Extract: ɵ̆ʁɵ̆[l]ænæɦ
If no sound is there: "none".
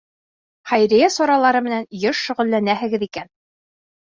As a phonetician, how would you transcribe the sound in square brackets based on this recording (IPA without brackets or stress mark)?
lː